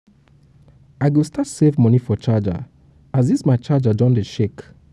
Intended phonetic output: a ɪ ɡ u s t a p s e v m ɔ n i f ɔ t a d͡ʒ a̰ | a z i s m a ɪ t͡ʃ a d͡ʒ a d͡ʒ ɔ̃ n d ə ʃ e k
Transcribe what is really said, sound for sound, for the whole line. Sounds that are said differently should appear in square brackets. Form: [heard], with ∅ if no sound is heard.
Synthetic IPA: a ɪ ɡ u s t a [t] s e v m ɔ n i f ɔ [t͡ʃ] a d͡ʒ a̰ | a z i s m a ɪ t͡ʃ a d͡ʒ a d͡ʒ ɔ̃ n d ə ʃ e k